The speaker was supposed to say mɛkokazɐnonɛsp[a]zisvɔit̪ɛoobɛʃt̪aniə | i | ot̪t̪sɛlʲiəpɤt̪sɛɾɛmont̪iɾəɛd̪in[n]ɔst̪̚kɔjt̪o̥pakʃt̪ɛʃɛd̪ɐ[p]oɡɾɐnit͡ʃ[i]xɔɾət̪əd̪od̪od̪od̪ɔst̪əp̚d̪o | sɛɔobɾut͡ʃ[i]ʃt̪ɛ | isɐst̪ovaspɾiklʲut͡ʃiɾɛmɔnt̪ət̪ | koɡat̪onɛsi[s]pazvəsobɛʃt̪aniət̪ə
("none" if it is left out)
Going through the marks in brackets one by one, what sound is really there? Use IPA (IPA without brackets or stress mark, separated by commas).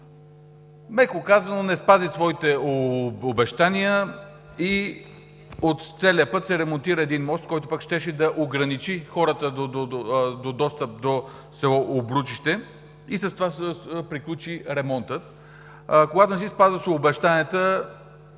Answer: a, m, ʔ, i, i, s